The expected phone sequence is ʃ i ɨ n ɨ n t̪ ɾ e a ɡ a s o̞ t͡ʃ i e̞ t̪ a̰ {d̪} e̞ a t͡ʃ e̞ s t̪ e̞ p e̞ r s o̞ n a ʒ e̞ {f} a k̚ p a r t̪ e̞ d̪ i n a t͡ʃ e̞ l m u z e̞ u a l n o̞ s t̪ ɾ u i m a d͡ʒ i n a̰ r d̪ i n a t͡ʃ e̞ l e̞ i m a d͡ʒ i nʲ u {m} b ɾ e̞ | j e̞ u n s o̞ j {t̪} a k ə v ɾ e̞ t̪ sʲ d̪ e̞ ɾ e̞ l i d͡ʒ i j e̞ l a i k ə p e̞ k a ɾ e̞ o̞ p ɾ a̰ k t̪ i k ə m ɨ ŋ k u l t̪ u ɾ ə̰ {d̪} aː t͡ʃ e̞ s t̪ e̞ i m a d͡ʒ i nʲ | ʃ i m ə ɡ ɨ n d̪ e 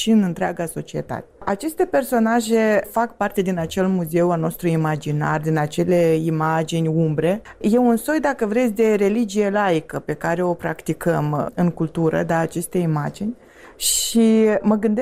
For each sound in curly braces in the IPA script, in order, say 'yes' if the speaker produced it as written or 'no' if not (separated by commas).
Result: no, yes, yes, no, yes